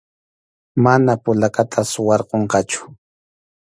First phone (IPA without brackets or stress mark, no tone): m